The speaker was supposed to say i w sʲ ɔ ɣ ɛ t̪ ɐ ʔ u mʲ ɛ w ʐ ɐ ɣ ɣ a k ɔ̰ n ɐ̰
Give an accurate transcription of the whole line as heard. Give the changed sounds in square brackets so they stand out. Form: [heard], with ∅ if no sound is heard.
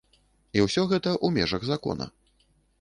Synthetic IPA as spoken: i w sʲ ɔ ɣ ɛ t̪ ɐ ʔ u mʲ ɛ [∅] ʐ ɐ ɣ [z] a k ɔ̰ n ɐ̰